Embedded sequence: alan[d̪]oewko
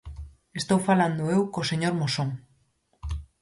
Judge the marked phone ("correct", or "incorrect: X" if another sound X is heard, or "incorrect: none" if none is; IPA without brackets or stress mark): correct